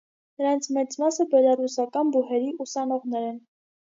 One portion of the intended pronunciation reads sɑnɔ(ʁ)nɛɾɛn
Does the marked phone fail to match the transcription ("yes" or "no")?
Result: no